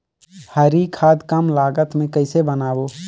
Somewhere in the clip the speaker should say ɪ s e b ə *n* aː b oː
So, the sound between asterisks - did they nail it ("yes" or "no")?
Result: yes